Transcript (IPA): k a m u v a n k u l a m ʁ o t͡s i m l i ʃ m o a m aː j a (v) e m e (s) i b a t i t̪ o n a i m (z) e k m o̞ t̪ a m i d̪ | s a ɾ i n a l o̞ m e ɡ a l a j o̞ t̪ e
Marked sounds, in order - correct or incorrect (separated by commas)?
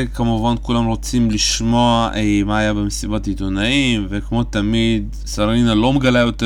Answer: incorrect, correct, incorrect